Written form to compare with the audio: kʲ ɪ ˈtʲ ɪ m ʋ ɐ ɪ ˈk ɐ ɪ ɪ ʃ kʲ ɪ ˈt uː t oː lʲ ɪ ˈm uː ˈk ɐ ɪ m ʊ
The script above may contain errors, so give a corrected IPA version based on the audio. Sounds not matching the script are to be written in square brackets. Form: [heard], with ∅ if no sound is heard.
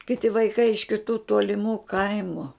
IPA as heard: kʲ ɪ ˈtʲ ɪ [∅] ʋ ɐ ɪ ˈk ɐ ɪ ɪ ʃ kʲ ɪ ˈt uː t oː lʲ ɪ ˈm uː ˈk ɐ ɪ m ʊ